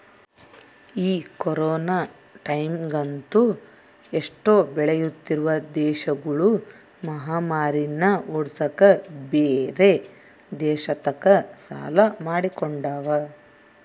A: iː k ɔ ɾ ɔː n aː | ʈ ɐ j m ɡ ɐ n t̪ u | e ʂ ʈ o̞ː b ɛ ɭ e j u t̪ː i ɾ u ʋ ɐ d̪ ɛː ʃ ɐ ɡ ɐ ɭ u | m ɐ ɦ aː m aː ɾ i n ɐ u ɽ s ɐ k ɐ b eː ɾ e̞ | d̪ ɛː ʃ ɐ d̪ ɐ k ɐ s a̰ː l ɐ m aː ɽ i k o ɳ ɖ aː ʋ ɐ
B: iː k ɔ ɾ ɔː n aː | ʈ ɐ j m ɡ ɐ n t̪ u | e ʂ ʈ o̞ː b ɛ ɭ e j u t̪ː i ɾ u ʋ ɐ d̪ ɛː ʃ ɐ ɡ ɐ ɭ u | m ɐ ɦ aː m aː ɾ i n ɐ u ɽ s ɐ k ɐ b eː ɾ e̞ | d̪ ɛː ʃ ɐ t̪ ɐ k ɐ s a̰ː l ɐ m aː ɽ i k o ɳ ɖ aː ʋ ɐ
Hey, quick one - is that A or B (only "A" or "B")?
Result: B